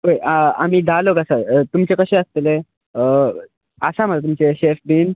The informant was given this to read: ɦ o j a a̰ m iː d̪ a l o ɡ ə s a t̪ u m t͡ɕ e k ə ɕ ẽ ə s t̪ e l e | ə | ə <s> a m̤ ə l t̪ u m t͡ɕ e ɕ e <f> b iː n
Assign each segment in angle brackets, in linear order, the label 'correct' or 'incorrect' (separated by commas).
correct, correct